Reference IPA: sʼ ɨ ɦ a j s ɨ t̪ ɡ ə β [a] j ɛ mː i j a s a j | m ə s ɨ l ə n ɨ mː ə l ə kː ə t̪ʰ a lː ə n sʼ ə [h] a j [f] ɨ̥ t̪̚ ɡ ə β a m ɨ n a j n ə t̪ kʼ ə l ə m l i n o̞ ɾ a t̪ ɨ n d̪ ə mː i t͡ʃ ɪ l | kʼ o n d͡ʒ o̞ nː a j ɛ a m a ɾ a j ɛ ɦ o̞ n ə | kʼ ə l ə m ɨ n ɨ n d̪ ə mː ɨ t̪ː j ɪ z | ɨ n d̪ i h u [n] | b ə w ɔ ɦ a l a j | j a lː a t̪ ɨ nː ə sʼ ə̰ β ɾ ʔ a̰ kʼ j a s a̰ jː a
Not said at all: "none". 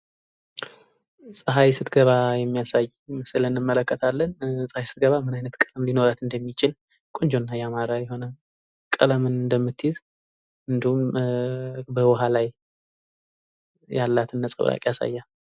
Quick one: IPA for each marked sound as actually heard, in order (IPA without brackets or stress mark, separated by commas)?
a, h, s, m